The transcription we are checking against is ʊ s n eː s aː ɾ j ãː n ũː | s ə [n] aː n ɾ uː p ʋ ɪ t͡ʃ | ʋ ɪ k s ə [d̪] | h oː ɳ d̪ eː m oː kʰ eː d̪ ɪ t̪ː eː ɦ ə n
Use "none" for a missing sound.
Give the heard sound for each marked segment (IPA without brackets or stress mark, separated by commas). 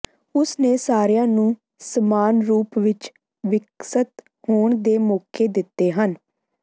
m, t̪